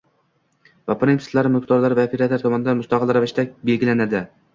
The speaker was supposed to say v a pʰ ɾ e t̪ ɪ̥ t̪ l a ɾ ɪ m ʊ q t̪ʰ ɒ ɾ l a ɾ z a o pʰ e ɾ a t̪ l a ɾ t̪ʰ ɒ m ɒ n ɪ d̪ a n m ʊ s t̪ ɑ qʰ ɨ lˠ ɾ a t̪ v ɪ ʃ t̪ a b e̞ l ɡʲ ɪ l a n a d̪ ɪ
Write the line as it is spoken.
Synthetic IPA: v a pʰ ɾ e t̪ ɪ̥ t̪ l a ɾ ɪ m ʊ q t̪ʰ ɒ ɾ l a ɾ v a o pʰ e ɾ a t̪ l a ɾ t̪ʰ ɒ m ɒ n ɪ d̪ a n m ʊ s t̪ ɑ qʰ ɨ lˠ ɾ a v ɪ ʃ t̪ a b e̞ l ɡʲ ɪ l a n a d̪ ɪ

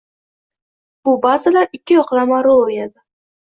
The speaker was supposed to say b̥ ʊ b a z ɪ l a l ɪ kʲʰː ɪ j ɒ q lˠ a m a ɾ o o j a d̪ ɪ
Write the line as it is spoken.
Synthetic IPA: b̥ ʊ b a z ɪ l a ɾ ɪ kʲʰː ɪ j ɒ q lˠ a m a ɾ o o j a d̪ ɪ

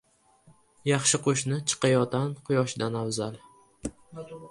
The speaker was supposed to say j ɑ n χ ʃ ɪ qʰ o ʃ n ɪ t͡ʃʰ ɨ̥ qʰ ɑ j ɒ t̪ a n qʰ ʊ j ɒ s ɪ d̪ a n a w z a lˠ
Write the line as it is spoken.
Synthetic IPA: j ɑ χ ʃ ɪ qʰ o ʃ n ɪ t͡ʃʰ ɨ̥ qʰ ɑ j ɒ t̪ a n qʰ ʊ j ɒ ʃ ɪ d̪ a n a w z a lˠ

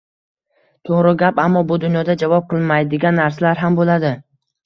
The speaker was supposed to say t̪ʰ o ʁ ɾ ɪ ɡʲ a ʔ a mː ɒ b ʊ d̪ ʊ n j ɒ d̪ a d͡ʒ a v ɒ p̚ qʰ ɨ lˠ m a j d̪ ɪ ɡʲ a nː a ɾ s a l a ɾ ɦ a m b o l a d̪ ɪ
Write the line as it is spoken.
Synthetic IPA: t̪ʰ o ʁ ɾ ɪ ɡʲ a p a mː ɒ b ʊ d̪ ʊ n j ɒ d̪ a d͡ʒ a v ɒ p̚ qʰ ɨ lˠ m a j d̪ ɪ ɡʲ a nː a ɾ s a l a ɾ ɦ a m b o l a d̪ ɪ

